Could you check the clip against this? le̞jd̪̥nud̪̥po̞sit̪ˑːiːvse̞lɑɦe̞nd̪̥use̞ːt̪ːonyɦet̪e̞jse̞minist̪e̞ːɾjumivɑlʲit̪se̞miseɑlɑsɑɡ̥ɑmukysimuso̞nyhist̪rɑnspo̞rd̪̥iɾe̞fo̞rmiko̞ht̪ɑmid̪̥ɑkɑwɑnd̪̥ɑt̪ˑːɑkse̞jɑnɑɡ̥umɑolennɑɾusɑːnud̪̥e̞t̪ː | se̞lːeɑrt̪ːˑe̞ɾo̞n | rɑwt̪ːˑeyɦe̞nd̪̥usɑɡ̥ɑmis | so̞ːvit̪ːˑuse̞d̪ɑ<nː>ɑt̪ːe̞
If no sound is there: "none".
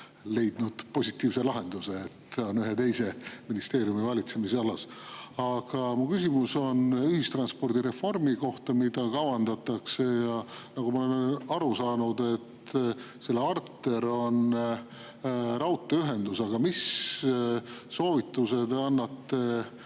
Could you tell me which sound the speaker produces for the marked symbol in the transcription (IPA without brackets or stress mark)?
nː